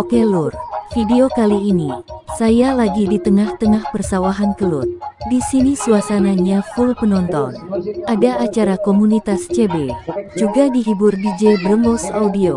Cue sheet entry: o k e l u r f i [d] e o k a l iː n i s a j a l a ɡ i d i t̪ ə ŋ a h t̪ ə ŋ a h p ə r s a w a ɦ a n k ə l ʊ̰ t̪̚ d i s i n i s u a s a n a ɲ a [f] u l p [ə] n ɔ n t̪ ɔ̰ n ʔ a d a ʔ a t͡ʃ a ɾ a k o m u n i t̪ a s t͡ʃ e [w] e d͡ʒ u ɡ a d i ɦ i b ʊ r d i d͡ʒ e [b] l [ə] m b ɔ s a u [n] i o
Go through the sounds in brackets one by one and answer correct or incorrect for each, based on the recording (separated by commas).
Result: correct, correct, correct, incorrect, correct, correct, incorrect